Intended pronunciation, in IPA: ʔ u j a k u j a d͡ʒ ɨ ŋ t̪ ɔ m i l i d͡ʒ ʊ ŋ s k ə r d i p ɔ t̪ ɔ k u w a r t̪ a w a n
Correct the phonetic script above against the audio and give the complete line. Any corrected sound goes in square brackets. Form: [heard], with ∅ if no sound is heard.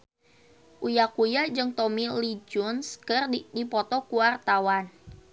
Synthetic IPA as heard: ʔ u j a k u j a d͡ʒ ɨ ŋ t̪ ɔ m i l i d͡ʒ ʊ [n] s k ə r d i p ɔ t̪ ɔ k u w a r t̪ a w a n